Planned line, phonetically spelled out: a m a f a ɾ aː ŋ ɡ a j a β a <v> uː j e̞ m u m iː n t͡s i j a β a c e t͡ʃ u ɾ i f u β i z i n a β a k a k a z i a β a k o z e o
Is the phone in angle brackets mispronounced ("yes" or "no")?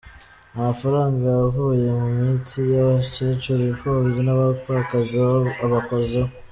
no